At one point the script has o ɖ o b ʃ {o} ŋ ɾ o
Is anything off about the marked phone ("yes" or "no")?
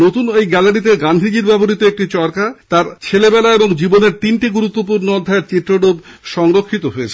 yes